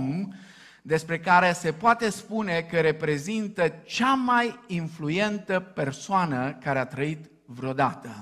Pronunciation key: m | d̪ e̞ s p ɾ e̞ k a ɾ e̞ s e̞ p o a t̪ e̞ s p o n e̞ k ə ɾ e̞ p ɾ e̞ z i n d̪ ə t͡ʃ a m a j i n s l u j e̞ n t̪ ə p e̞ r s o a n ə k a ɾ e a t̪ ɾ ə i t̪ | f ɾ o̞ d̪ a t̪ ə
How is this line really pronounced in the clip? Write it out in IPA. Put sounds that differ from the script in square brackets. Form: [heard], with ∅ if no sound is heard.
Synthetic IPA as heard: m | d̪ e̞ s p ɾ e̞ k a ɾ e̞ s e̞ p o a t̪ e̞ s p [u] n e̞ k ə ɾ e̞ p ɾ e̞ z i n [t̪] ə t͡ʃ a m a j i n [f] l u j e̞ n t̪ ə p e̞ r s o a n ə k a ɾ e a t̪ ɾ ə i t̪ | [v] ɾ o̞ d̪ a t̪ ə